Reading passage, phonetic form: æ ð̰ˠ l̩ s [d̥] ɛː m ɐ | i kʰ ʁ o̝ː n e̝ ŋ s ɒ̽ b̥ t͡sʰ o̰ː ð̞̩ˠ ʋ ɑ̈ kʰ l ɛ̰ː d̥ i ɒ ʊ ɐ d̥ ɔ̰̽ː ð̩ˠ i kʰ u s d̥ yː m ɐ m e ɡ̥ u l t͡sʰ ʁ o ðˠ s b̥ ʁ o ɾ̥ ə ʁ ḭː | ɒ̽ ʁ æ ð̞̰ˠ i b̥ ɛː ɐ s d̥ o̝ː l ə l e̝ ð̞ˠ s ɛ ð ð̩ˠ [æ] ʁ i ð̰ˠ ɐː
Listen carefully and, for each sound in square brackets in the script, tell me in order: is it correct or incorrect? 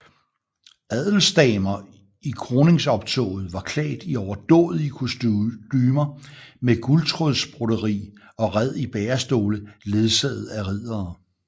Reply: correct, correct

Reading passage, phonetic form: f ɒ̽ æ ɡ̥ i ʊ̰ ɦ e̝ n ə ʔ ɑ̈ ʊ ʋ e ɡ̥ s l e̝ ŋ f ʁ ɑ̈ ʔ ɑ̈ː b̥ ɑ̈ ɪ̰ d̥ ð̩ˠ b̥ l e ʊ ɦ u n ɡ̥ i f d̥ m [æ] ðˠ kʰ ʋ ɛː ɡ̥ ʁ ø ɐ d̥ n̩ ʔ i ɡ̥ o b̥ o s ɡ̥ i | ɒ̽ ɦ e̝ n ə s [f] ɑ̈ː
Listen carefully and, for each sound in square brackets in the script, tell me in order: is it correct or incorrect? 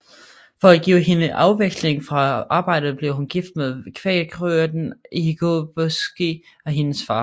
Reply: incorrect: e, correct

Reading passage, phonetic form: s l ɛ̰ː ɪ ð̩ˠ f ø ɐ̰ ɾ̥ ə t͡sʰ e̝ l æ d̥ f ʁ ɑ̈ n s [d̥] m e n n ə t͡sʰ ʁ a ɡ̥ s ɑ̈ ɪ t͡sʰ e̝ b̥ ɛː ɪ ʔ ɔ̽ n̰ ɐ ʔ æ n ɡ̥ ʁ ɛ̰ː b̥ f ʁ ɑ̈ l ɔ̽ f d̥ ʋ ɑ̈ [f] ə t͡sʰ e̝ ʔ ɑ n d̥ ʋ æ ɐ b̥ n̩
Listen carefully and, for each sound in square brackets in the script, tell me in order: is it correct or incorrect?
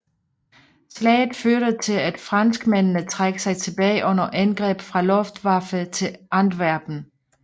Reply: incorrect: ɡ̥, correct

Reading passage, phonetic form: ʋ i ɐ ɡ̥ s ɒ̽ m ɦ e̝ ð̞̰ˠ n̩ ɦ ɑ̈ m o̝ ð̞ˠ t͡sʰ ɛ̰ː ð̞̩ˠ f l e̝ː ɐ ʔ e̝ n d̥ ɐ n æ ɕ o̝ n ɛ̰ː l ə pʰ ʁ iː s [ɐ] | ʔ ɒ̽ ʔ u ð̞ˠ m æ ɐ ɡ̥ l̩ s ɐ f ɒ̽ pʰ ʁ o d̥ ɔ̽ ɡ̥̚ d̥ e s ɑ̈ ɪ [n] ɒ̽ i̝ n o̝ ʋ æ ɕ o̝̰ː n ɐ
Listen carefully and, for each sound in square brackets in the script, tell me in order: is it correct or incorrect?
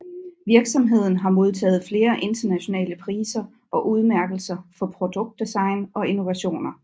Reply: correct, correct

